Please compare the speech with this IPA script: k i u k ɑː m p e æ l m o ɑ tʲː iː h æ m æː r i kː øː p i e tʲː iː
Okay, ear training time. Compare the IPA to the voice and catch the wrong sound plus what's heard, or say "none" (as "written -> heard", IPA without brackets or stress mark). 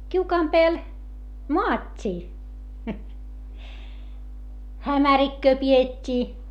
æː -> æ